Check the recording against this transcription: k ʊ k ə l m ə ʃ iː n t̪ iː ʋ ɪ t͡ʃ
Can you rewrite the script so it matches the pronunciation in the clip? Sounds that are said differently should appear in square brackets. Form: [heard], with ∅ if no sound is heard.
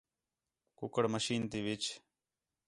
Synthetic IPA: k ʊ k ə [ɽ] m ə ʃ iː n t̪ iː ʋ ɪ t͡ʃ